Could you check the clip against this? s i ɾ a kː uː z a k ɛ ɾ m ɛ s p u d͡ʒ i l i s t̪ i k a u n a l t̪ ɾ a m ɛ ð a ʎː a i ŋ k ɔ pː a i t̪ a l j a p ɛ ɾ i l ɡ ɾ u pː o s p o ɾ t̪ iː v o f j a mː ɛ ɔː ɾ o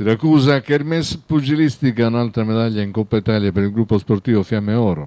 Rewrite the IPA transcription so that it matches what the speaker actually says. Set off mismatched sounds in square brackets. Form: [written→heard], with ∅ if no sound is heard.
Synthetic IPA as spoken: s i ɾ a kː uː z a k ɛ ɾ m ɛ s p u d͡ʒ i l i s t̪ i k a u n a l t̪ ɾ a m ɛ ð a ʎː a i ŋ k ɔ pː a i t̪ a l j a p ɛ ɾ i l ɡ ɾ u pː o s p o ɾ t̪ iː v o f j a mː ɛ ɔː ɾ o

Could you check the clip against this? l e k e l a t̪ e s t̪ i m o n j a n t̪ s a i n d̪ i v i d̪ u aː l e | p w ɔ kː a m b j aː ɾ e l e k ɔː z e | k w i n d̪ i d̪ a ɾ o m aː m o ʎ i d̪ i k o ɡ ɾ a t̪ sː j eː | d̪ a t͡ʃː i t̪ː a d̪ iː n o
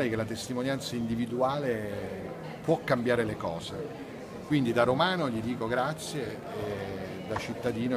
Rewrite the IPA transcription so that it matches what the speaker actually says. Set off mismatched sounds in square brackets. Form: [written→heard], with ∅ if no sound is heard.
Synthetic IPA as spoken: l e k e l a t̪ e s t̪ i m o n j a n t̪ s a i n d̪ i v i d̪ u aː l e | p w ɔ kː a m b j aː ɾ e l e k ɔː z e | k w i n d̪ i d̪ a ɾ o m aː [m→n] o ʎ i d̪ [i→iː] k o ɡ ɾ a t̪ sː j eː | d̪ a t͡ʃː i t̪ː a d̪ iː n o

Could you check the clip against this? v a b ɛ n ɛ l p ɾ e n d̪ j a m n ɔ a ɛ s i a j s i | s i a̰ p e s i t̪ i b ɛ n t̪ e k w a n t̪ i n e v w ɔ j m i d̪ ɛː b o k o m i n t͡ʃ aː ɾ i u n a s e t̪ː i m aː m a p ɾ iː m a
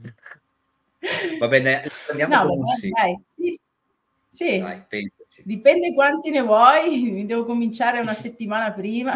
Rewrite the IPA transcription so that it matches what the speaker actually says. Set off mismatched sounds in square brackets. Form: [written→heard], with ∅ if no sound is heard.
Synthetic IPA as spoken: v a b ɛ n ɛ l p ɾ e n d̪ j a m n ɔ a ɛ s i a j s i | s i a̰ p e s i [t̪→d̪] i [b→p] ɛ n [t̪→d̪] e k w a n t̪ i n e v w ɔ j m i d̪ ɛː [b→v] o k o m i n t͡ʃ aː ɾ [i→e] u n a s e t̪ː i m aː [m→n] a p ɾ iː m a

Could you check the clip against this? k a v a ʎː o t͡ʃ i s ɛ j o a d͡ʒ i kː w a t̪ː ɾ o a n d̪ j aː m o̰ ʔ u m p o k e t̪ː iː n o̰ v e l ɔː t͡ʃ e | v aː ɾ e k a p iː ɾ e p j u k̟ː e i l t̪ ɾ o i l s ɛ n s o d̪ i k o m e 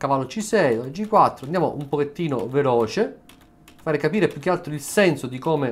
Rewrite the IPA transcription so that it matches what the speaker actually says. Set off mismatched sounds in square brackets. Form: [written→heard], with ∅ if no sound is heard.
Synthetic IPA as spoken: k a v a [ʎː→lː] o t͡ʃ i s ɛ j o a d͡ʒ i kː w a t̪ː ɾ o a n d̪ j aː m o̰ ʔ u m p o k e t̪ː iː n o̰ v e l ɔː t͡ʃ e | [v→f] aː ɾ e k a p iː ɾ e p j u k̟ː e [i→a] l t̪ ɾ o i l s ɛ n s o d̪ i k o m e

